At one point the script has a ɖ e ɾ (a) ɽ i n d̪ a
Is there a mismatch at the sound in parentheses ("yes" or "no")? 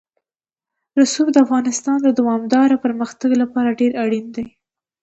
no